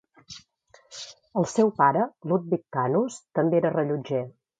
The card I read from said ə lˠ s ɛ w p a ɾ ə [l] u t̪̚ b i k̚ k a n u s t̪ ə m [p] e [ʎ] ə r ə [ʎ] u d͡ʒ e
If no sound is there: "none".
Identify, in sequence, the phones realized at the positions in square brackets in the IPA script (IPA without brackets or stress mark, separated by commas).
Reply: l, b, ɾ, ʎ